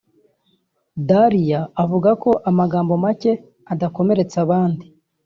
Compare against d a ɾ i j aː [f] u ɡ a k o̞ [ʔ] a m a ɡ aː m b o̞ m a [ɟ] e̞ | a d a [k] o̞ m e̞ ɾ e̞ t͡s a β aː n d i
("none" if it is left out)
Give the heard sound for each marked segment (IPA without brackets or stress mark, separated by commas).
v, ʔ, c, k